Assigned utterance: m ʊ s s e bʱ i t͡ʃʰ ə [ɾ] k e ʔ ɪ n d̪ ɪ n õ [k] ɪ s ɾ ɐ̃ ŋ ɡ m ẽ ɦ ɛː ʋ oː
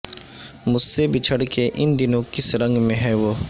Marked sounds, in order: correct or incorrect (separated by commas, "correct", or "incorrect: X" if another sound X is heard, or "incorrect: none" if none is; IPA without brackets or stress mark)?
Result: incorrect: ɽ, correct